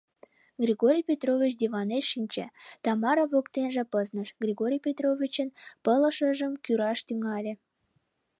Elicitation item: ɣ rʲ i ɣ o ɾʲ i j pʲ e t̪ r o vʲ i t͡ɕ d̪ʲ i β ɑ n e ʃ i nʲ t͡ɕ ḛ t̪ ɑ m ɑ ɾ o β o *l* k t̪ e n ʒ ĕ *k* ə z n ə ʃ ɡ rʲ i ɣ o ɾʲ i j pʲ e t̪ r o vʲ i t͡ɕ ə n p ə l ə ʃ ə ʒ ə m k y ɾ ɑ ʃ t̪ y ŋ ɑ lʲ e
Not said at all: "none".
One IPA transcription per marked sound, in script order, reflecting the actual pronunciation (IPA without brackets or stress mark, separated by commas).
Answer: none, p